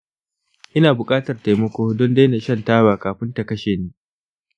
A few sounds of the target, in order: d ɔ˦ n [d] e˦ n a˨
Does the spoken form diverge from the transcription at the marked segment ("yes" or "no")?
no